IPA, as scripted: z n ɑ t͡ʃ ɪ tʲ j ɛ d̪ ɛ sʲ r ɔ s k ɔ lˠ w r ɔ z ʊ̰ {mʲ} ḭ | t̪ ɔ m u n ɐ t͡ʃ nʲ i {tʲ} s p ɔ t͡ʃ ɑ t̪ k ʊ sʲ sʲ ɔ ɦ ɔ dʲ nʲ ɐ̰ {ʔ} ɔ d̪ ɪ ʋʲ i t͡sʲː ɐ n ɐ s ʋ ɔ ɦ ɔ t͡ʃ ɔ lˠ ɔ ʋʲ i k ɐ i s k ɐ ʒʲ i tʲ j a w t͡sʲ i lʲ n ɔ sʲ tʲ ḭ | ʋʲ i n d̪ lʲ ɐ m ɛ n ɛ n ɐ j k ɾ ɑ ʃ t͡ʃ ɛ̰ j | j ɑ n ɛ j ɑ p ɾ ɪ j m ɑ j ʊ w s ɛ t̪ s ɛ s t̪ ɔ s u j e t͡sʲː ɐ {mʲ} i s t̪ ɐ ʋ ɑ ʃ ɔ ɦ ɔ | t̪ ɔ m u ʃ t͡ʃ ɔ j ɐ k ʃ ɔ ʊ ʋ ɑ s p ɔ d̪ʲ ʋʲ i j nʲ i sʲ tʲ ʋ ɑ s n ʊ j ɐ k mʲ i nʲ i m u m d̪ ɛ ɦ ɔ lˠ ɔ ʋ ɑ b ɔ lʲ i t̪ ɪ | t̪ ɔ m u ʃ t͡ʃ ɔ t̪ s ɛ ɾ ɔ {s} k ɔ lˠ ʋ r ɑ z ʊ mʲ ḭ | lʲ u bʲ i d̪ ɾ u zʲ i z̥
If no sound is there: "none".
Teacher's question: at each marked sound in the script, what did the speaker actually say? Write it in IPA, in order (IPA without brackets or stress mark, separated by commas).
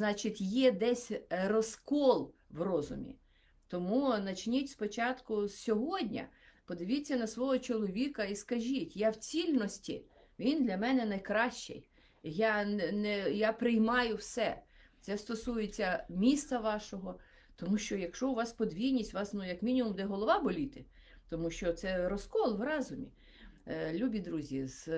mʲ, tʲ, p, mʲ, s